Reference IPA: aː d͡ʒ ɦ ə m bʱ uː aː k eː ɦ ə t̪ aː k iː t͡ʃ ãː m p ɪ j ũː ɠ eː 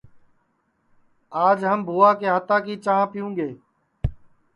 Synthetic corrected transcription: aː d͡ʒ ɦ ə m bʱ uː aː k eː ɦ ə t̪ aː k iː t͡ʃ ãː p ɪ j ũː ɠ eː